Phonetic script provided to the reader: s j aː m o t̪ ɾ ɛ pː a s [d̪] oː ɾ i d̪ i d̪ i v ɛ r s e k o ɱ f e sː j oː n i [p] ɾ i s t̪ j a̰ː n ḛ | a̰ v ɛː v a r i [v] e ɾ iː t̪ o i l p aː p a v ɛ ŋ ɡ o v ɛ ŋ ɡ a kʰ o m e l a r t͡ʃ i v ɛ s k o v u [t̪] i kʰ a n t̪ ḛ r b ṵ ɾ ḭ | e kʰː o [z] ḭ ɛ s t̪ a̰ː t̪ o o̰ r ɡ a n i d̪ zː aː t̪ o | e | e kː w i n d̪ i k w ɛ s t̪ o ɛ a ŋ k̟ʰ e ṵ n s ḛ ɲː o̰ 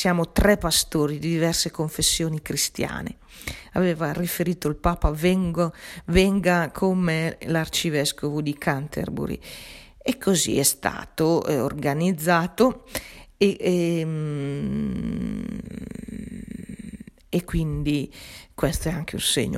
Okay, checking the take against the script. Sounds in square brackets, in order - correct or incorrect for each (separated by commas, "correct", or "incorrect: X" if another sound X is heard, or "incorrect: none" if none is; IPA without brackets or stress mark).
incorrect: t̪, incorrect: k, incorrect: f, incorrect: d̪, correct